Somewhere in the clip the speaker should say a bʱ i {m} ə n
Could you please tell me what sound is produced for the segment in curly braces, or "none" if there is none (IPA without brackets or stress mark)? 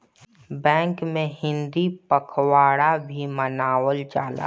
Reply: m